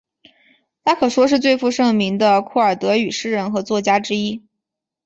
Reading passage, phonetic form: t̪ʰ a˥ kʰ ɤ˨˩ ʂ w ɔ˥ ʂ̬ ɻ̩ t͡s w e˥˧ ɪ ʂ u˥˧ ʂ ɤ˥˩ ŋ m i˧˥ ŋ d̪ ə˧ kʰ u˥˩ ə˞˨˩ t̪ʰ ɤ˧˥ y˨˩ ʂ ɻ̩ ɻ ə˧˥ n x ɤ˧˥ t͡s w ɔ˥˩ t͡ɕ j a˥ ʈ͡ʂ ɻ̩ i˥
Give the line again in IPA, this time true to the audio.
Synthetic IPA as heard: t̪ʰ a˥ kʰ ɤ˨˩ ʂ w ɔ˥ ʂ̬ ɻ̩ t͡s w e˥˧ ɪ f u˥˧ ʂ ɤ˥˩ ŋ m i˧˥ ŋ d̪ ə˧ kʰ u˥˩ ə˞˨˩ t̪ ɤ˧˥ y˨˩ ʂ ɻ̩ ɻ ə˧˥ n x ɤ˧˥ t͡s w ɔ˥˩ t͡ɕ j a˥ ʈ͡ʂ ɻ̩ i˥